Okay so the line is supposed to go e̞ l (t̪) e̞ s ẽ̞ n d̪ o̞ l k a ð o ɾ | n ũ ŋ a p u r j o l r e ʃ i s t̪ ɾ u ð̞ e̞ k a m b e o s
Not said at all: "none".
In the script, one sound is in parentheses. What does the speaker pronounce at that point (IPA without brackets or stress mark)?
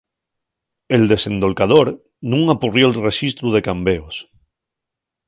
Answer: d̪